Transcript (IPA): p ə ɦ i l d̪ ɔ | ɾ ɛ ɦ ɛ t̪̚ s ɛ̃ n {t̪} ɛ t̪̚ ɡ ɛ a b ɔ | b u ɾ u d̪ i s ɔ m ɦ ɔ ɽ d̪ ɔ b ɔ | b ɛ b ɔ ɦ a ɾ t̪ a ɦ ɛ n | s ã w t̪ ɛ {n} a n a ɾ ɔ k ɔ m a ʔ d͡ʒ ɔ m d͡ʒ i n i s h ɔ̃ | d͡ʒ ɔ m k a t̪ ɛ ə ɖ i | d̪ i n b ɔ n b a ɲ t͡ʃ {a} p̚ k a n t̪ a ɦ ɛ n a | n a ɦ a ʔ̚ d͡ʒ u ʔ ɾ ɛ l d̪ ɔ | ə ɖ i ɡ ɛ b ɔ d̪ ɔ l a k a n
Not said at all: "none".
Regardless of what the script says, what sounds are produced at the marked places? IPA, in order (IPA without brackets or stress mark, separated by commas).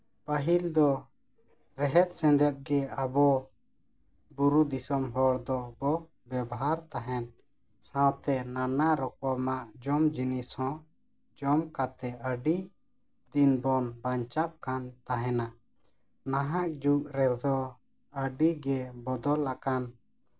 d̪, n, a